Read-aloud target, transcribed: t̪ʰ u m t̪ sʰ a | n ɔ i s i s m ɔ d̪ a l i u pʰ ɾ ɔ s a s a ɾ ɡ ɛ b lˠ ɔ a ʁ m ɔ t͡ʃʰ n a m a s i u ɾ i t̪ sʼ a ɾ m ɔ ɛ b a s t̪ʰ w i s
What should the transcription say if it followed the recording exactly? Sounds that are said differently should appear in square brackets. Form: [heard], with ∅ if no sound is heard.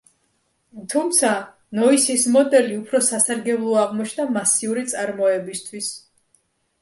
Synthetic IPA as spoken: t̪ʰ u m t̪ sʰ a | n ɔ i s i s m ɔ d̪ [ɛ] l i u pʰ ɾ ɔ s a s a ɾ ɡ ɛ b lˠ ɔ a ʁ m ɔ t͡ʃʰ n a m a s i u ɾ i t̪ sʼ a ɾ m ɔ ɛ b [i] s t̪ʰ w i s